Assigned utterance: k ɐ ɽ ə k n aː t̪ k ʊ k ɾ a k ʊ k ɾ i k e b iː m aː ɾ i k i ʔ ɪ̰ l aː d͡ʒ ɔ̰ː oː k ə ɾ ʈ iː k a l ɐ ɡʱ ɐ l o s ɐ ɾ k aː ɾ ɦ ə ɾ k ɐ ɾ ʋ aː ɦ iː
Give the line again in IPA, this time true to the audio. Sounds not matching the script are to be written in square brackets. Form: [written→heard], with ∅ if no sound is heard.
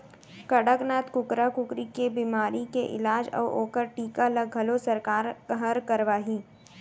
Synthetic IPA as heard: k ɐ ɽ ə k n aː t̪ k ʊ k ɾ a k ʊ k ɾ i k e b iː m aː ɾ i k [i→e] ʔ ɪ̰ l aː d͡ʒ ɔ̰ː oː k ə ɾ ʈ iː k a l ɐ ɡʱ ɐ l o s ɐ ɾ k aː ɾ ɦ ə ɾ k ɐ ɾ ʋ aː ɦ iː